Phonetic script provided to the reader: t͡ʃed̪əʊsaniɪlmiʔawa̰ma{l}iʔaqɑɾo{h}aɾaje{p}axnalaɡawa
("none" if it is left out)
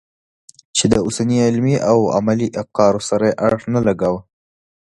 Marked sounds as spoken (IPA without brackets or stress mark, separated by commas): l, s, ʔ